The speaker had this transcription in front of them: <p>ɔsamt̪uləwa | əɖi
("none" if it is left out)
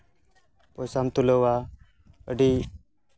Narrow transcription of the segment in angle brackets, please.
p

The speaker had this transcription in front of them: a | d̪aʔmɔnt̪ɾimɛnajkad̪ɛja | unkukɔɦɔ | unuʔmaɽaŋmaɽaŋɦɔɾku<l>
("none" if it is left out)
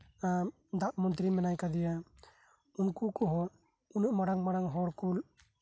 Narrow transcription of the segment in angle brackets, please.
l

